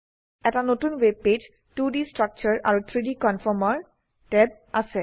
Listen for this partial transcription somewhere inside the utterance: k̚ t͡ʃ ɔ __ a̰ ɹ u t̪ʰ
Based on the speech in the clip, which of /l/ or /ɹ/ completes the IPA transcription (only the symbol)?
ɹ